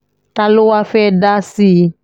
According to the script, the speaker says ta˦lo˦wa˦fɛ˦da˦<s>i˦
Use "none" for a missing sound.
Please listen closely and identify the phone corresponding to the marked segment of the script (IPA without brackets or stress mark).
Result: s